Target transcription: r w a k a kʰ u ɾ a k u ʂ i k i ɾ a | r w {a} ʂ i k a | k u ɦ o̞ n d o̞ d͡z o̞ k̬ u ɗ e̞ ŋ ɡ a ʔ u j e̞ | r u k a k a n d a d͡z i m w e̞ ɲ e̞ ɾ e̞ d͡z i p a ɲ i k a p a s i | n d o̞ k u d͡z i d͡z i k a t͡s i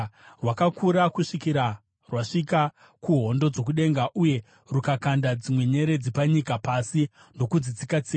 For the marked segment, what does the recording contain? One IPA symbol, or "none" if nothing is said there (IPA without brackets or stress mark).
a